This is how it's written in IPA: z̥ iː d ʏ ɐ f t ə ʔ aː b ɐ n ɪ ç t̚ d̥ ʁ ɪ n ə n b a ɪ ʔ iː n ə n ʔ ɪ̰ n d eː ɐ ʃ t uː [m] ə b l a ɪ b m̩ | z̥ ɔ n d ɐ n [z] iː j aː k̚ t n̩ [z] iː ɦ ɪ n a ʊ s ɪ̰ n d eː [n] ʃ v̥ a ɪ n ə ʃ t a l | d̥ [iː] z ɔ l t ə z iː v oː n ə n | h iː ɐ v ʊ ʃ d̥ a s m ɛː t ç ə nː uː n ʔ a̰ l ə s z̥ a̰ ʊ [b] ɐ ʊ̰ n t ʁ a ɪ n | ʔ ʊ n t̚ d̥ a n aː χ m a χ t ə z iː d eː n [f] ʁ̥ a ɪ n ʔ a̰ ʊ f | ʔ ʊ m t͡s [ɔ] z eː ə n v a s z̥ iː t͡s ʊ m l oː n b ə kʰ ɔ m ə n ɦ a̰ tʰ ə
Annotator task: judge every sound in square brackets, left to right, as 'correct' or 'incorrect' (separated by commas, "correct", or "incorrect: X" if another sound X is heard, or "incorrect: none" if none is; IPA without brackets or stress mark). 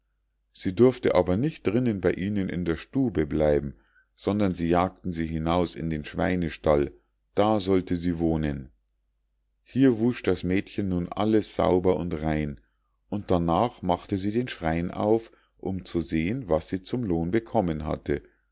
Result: incorrect: b, correct, correct, correct, incorrect: aː, correct, incorrect: ʃ, incorrect: u